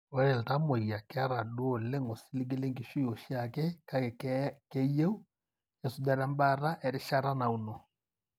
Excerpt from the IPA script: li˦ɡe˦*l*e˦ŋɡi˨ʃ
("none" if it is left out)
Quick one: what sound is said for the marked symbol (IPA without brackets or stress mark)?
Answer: l